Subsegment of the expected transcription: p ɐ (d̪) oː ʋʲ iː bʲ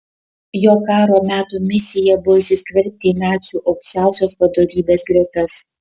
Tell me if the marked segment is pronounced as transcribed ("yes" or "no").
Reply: yes